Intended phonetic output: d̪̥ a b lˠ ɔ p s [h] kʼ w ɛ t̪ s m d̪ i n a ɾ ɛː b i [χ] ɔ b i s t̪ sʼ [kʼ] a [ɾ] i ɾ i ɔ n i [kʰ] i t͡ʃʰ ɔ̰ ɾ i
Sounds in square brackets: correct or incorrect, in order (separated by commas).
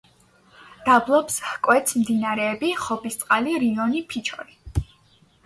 correct, correct, incorrect, incorrect, incorrect